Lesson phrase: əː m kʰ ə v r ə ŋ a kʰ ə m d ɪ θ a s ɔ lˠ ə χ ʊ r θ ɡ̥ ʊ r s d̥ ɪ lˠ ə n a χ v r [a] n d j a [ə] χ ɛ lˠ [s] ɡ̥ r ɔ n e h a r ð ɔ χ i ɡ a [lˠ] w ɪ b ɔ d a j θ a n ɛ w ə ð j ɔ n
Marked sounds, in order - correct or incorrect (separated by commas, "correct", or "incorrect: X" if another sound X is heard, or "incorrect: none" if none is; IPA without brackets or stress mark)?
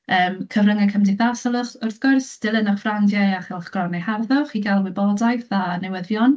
correct, incorrect: a, incorrect: χ, correct